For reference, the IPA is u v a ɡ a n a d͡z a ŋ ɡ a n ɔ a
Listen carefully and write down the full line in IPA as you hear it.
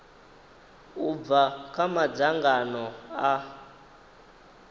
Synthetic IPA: u v a k a m a d͡z a ŋ ɡ a n ɔ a